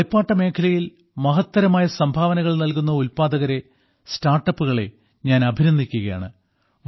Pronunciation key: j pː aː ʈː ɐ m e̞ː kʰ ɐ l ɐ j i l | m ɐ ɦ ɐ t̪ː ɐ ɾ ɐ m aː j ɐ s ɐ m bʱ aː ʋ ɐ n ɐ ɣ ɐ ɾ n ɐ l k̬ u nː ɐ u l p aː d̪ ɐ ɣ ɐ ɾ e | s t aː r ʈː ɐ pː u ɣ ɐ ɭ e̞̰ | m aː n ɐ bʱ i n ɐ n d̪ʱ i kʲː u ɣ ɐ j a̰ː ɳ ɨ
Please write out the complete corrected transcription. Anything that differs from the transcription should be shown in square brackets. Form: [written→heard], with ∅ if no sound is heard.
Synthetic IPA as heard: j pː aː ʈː ɐ m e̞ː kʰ ɐ l ɐ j i l | m ɐ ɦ ɐ t̪ː ɐ ɾ ɐ m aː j ɐ s ɐ m bʱ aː ʋ ɐ n ɐ ɣ ɐ [ɾ→ɭ] n ɐ l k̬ u nː ɐ u l p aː d̪ ɐ ɣ ɐ ɾ e | s t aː r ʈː ɐ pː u ɣ ɐ ɭ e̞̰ | [m→ɲ] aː n ɐ bʱ i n ɐ n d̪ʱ i kʲː u ɣ ɐ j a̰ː ɳ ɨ